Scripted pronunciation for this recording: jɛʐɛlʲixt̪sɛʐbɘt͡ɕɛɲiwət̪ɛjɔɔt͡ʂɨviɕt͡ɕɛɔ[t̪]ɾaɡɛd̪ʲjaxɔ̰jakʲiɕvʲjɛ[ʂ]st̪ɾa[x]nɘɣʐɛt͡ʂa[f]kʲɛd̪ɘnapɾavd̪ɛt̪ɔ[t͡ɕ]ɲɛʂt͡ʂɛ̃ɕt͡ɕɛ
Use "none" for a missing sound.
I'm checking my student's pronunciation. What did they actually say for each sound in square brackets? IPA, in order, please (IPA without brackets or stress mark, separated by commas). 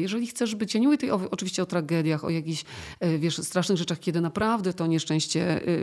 t̪, ʂ, ʂ, x, none